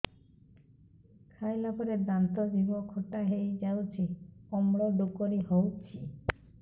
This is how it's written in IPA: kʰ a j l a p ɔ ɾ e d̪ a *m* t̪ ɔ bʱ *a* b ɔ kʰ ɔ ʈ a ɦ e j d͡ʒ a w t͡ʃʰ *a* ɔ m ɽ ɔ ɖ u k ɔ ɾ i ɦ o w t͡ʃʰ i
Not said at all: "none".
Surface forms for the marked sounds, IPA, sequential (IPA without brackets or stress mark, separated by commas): n, i, i